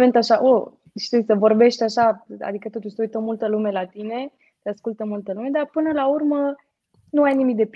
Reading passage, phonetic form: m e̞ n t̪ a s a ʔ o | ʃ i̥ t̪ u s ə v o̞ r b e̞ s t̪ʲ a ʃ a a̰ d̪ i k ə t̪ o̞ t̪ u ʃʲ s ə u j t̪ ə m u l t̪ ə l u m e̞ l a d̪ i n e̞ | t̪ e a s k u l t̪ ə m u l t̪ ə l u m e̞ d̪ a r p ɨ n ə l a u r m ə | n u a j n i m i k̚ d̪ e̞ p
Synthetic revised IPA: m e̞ n t̪ a ʃ a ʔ o | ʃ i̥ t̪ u s ə v o̞ r b e̞ ʃ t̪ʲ a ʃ a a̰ d̪ i k ə t̪ o̞ t̪ u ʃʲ s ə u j t̪ ə m u l t̪ ə l u m e̞ l a t̪ i n e̞ | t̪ e a s k u l t̪ ə m u l t̪ ə l u m e̞ d̪ a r p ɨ n ə l a u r m ə | n u a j n i m i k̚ d̪ e̞ p